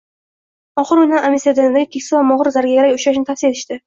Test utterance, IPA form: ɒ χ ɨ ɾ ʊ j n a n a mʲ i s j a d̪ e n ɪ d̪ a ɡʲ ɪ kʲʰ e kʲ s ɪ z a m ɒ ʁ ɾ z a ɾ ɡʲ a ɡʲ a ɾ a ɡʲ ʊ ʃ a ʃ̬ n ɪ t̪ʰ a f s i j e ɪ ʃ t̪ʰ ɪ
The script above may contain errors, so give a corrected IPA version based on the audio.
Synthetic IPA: ɒ χ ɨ ɾ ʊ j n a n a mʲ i s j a d̪ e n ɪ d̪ a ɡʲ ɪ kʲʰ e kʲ s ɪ v a m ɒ ʁ ɾ z a ɾ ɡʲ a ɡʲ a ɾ a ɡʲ ʊ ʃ a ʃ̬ n ɪ t̪ʰ a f s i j e ɪ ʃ t̪ ɪ